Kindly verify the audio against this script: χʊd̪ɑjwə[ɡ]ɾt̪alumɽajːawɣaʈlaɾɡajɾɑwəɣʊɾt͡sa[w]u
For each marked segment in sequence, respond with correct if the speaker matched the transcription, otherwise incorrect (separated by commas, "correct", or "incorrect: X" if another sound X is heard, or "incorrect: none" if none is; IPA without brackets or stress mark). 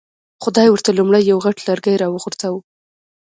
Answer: incorrect: none, correct